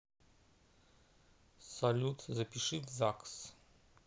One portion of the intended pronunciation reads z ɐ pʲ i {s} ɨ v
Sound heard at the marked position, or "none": ʂ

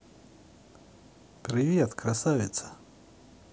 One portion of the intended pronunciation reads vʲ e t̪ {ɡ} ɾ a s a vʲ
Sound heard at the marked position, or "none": k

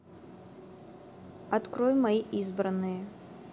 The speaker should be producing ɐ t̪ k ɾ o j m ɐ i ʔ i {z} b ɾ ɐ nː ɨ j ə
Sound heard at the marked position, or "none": z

